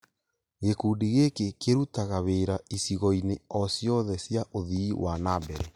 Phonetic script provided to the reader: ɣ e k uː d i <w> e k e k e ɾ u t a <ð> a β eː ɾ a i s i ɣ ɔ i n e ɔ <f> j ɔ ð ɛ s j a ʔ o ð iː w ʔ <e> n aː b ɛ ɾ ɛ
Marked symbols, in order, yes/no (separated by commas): no, no, no, no